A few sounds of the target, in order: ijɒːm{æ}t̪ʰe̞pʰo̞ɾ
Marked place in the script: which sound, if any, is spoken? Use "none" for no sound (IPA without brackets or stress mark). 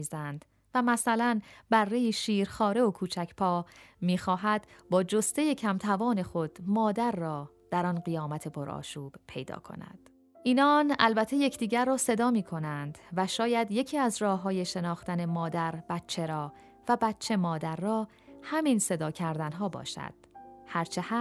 æ